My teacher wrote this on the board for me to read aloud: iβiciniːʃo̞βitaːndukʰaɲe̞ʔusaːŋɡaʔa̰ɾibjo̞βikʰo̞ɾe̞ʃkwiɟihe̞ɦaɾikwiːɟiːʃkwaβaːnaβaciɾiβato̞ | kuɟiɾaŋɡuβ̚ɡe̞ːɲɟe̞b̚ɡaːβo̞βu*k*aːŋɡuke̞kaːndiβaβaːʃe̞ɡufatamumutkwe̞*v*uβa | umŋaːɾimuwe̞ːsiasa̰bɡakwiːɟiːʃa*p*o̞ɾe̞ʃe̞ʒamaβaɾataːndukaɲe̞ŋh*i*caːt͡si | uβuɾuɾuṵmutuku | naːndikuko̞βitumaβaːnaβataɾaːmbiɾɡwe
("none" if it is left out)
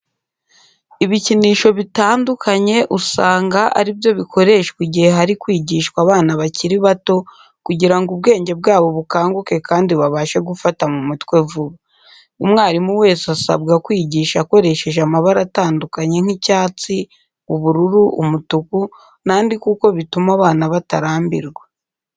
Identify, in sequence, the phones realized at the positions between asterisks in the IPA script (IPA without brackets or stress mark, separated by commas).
k, v, k, i